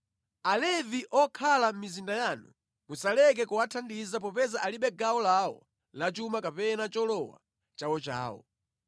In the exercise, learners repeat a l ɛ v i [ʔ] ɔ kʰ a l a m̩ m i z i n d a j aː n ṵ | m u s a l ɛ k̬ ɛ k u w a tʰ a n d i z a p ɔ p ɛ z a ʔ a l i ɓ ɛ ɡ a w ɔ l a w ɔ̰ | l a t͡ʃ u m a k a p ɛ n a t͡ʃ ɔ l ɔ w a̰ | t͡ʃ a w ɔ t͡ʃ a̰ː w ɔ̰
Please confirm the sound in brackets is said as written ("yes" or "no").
yes